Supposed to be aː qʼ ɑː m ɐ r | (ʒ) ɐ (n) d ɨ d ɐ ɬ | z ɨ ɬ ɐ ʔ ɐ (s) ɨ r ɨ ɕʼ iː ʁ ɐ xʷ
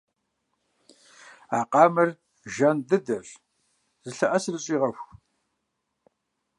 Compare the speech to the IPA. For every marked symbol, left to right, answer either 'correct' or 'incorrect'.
correct, correct, correct

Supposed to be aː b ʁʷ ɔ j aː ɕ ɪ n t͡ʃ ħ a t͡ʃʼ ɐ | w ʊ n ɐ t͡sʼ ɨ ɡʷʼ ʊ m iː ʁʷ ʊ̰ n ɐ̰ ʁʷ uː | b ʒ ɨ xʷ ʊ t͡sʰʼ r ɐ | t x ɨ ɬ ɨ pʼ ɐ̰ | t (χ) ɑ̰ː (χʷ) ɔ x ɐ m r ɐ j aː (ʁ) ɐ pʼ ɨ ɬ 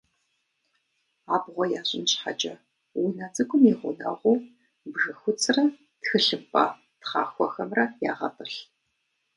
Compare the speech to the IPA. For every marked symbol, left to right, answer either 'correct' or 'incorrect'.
correct, incorrect, correct

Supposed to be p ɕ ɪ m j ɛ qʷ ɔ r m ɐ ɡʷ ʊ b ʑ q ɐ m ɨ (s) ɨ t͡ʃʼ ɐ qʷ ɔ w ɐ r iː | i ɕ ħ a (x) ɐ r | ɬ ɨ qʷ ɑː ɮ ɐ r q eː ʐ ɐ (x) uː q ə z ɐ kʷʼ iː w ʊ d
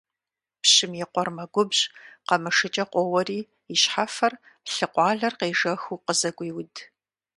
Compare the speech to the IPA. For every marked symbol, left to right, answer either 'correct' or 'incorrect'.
incorrect, incorrect, correct

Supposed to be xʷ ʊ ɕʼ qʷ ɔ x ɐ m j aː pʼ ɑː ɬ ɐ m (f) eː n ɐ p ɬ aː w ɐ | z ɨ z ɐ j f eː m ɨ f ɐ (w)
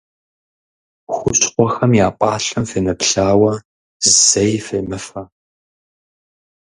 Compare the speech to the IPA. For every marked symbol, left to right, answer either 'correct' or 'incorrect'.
correct, incorrect

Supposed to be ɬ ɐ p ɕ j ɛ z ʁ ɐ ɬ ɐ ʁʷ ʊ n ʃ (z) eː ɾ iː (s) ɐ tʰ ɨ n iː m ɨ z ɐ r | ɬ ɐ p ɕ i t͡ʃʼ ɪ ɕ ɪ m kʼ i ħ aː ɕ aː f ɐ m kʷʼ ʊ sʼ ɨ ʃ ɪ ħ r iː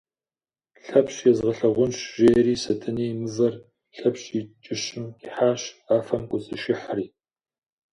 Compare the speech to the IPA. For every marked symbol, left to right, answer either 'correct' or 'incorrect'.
incorrect, correct

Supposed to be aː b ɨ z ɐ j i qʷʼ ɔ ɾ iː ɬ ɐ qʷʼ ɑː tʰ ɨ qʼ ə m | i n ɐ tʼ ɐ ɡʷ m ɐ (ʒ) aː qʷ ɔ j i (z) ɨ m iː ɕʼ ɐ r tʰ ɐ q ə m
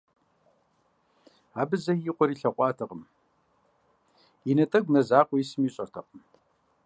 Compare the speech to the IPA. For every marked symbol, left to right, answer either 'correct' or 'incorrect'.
incorrect, incorrect

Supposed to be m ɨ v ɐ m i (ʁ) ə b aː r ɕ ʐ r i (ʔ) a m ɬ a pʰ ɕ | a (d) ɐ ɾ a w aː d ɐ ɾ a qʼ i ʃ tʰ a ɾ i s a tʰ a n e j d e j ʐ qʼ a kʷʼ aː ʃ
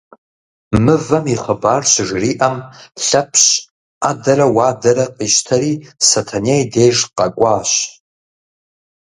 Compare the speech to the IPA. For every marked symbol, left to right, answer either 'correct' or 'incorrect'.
incorrect, correct, correct

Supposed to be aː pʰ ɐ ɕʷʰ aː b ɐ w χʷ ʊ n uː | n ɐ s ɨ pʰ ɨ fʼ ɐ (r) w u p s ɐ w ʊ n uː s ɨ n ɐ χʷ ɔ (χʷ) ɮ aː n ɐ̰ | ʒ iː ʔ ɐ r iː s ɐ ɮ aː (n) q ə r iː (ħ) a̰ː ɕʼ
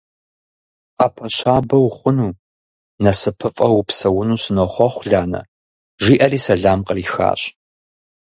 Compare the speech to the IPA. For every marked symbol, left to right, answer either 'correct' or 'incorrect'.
incorrect, correct, incorrect, incorrect

